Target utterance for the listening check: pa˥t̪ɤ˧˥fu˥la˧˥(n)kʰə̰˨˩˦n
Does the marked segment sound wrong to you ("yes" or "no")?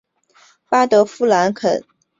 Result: no